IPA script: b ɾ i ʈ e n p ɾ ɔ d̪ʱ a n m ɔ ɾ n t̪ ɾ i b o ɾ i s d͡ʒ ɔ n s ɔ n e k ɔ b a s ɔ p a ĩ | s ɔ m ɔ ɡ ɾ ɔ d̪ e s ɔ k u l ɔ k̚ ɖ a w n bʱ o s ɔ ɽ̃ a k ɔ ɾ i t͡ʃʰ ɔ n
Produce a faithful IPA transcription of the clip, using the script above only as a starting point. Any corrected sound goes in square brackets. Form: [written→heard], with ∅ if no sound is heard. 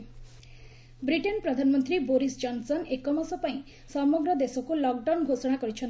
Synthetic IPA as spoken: b ɾ i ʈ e n p ɾ ɔ d̪ʱ a n m ɔ [ɾ→∅] n t̪ ɾ i b o ɾ i s d͡ʒ ɔ n s ɔ n e k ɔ [b→m] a s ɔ p a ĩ | s ɔ m ɔ ɡ ɾ ɔ d̪ e s ɔ k u l ɔ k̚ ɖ a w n [bʱ→ɡʱ] o s ɔ ɽ̃ a k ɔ ɾ i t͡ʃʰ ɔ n